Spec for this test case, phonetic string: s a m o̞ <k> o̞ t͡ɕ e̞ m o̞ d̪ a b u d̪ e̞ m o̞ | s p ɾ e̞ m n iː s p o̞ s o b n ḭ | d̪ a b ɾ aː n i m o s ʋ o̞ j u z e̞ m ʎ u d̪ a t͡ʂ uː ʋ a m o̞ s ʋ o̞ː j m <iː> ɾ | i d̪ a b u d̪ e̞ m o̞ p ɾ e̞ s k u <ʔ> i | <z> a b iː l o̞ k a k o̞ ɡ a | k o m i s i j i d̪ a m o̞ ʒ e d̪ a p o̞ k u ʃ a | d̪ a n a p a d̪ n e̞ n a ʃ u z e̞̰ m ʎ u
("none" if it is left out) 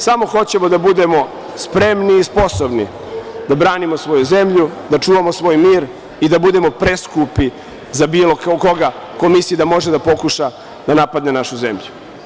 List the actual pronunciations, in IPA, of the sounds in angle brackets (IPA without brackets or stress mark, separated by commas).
x, iː, p, z